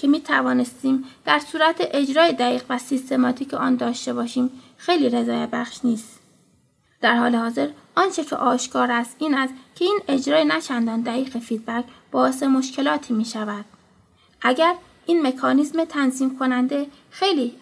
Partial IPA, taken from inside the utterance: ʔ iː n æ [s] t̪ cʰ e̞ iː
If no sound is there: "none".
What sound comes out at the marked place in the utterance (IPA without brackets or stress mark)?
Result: s